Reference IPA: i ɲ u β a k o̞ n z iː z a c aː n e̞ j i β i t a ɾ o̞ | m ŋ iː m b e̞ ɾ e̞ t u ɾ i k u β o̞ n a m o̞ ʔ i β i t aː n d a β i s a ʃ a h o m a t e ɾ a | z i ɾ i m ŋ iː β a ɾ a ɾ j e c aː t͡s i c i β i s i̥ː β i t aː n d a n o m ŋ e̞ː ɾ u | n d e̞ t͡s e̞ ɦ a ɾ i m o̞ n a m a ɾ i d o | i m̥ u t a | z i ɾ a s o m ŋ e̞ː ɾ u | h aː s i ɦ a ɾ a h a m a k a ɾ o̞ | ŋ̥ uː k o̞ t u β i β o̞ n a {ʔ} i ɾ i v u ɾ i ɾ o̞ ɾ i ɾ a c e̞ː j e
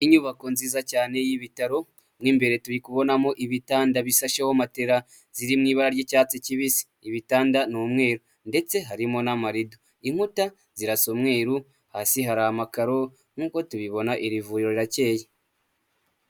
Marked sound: correct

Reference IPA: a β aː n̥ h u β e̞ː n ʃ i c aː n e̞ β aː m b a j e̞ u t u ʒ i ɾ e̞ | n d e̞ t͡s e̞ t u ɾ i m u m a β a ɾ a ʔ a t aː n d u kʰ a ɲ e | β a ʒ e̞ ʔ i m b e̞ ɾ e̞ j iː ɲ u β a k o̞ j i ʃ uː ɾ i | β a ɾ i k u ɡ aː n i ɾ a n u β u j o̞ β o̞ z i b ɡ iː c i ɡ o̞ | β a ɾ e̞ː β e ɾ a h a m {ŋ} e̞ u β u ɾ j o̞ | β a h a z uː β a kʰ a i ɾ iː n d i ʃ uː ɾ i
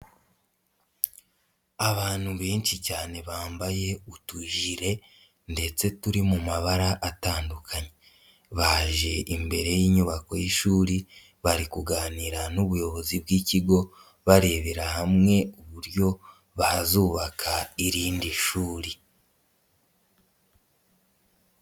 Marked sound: correct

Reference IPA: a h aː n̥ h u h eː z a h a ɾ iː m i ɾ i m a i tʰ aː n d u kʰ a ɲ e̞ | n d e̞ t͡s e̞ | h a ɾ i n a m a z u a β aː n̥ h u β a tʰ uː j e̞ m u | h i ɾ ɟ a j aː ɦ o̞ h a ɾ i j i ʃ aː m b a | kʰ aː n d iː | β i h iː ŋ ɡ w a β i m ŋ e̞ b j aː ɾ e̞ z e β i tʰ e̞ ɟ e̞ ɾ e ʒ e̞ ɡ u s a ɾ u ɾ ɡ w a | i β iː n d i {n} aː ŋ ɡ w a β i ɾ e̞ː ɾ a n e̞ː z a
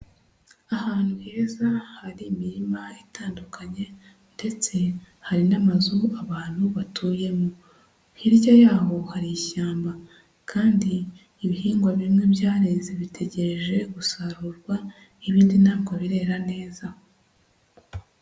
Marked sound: correct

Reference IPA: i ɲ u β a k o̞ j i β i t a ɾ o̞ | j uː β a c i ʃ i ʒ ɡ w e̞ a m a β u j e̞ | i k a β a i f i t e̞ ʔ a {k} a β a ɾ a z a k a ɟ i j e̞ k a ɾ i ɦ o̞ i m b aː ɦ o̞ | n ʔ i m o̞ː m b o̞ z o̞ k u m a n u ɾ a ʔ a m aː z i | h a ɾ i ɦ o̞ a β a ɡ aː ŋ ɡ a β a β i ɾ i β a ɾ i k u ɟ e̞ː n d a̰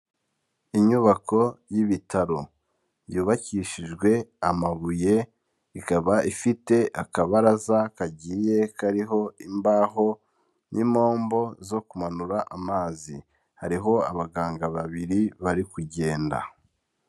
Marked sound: correct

